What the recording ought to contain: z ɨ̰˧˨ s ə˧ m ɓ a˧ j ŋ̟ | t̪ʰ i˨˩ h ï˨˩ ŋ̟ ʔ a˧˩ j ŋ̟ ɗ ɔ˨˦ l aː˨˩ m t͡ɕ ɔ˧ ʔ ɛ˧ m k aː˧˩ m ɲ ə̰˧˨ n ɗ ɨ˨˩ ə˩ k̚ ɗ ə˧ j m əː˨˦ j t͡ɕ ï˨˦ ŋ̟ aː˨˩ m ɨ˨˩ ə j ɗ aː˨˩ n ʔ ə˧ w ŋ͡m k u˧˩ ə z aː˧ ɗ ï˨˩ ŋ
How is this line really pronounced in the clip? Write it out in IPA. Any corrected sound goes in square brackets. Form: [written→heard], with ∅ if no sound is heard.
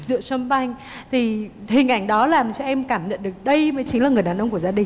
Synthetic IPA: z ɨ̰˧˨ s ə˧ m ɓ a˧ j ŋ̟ | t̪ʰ i˨˩ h ï˨˩ ŋ̟ ʔ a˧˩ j ŋ̟ ɗ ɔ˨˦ l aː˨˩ m t͡ɕ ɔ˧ ʔ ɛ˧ m k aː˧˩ m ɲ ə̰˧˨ n ɗ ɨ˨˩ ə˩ k̚ ɗ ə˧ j m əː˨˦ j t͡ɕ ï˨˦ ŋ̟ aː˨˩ [m→ŋ] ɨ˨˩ ə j ɗ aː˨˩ n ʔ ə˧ w ŋ͡m k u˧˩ ə z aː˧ ɗ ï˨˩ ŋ